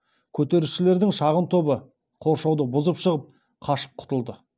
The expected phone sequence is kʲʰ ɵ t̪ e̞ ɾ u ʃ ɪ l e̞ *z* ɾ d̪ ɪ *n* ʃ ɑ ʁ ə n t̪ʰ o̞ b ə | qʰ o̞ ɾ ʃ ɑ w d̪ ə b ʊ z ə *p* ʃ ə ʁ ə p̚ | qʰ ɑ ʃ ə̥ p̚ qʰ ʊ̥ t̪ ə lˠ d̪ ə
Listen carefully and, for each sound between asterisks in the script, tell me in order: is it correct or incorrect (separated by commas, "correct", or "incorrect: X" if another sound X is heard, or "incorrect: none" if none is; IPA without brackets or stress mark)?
incorrect: none, incorrect: ŋ, correct